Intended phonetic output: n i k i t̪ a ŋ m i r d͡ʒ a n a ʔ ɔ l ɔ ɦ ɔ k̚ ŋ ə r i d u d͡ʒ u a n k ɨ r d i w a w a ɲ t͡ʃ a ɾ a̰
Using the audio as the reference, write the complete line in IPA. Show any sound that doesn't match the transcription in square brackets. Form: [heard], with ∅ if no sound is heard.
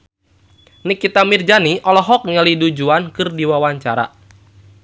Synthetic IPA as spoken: n i k i t̪ a [∅] m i r d͡ʒ a n [i] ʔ ɔ l ɔ ɦ ɔ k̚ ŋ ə [l] i d u d͡ʒ u a n k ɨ r d i w a w a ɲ t͡ʃ a ɾ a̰